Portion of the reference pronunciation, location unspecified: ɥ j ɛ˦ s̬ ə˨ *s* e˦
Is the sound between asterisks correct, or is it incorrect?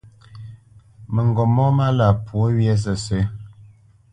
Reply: correct